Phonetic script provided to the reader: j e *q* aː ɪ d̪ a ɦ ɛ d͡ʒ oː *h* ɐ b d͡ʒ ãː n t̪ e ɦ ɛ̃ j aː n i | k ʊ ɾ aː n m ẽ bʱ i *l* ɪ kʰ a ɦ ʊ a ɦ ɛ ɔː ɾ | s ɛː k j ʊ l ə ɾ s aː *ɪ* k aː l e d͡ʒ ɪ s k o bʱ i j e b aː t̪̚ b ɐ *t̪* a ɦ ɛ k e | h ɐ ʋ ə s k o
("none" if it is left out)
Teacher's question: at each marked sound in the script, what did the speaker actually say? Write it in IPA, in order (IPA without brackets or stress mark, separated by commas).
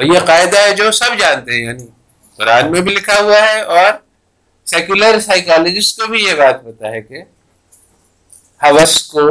q, s, l, ɪ, t̪